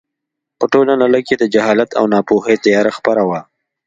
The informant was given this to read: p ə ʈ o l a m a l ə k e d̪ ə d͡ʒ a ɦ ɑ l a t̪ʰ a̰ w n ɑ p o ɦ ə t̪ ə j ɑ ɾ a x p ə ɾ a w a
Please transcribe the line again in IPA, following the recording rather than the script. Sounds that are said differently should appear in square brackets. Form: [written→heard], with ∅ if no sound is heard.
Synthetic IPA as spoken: p ə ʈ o l a [m→n] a l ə k e d̪ ə d͡ʒ a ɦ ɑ l a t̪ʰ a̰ w n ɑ p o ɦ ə t̪ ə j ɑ ɾ a x p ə ɾ a w a